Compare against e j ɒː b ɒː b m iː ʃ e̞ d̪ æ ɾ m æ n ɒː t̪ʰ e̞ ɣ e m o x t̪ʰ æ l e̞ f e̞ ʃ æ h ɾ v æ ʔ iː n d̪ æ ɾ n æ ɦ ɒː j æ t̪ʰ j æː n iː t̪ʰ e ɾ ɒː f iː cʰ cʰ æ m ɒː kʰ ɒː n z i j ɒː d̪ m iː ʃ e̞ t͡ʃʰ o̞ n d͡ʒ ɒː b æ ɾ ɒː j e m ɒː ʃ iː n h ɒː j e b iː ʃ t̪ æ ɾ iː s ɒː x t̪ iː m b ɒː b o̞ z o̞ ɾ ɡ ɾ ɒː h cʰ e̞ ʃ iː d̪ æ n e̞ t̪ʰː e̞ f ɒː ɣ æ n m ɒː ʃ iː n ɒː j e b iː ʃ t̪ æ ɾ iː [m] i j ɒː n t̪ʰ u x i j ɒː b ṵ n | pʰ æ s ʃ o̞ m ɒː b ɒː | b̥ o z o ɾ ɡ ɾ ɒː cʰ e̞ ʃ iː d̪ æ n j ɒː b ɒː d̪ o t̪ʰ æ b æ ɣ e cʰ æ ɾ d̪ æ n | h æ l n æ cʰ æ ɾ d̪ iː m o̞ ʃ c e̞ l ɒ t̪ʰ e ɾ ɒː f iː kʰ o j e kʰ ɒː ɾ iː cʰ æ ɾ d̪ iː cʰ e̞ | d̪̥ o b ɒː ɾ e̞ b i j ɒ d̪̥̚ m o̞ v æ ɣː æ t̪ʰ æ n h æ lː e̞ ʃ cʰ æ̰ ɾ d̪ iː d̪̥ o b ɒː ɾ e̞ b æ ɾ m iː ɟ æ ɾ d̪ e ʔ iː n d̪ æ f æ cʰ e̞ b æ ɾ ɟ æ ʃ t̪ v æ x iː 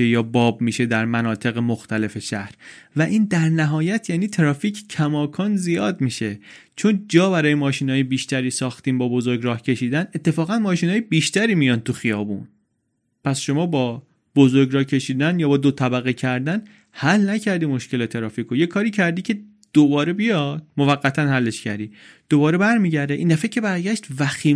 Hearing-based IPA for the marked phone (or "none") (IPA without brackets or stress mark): m